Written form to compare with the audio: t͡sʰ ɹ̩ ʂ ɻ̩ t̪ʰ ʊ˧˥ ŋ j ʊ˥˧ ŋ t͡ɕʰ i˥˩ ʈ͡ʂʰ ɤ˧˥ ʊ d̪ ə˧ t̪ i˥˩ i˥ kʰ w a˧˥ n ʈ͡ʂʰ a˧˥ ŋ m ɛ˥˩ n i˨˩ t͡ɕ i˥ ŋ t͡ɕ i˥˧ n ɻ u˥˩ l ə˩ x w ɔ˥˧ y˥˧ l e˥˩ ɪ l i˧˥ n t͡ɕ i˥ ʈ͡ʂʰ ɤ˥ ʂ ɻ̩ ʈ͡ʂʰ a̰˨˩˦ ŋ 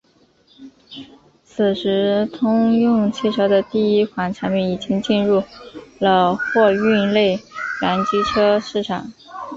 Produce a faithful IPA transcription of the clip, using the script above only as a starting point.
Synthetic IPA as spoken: t͡sʰ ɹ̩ ʂ ɻ̩ t̪ʰ ʊ˥ ŋ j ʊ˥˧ ŋ t͡ɕʰ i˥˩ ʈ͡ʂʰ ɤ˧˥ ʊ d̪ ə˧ t̪ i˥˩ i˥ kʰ w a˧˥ n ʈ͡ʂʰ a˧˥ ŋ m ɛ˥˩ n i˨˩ t͡ɕ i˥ ŋ t͡ɕ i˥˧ n ɻ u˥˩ l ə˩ x w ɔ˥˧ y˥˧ l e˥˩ ɪ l a˧˥ n t͡ɕ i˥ ʈ͡ʂʰ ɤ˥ ʂ ɻ̩ ʈ͡ʂʰ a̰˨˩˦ ŋ